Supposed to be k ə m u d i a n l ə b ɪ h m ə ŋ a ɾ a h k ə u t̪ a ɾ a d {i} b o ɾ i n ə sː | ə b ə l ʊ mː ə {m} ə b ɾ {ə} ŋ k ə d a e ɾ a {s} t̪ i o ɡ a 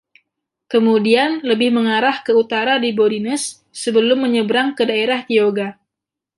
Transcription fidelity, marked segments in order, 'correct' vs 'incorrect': correct, incorrect, incorrect, incorrect

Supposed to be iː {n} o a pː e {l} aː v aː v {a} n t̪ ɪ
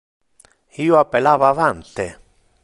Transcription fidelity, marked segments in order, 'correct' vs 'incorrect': incorrect, correct, correct

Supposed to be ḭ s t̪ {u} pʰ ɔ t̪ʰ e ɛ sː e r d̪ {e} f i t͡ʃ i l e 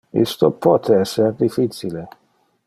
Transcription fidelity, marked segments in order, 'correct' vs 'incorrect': incorrect, incorrect

